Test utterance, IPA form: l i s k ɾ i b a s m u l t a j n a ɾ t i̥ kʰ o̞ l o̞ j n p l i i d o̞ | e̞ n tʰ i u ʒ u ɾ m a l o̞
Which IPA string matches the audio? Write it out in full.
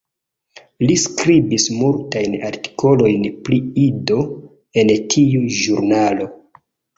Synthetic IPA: l i s k ɾ i b i s m u l t a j n a ɾ t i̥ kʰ o̞ l o̞ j n p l i i d o̞ | e̞ n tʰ i u ʒ u ɾ n a l o̞